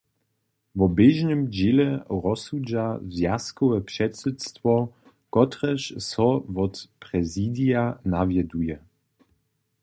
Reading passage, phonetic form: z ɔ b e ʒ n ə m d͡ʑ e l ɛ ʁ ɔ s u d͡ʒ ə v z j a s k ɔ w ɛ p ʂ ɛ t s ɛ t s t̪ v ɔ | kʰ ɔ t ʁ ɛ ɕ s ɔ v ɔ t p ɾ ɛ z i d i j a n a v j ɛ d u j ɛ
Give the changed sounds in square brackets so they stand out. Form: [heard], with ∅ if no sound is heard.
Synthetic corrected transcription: [v] ɔ b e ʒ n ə m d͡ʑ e l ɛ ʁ ɔ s u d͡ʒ [a] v z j a s k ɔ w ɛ p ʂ ɛ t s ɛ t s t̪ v ɔ | [k] ɔ t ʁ ɛ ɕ s ɔ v ɔ t p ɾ ɛ z i d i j a n a v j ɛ d u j ɛ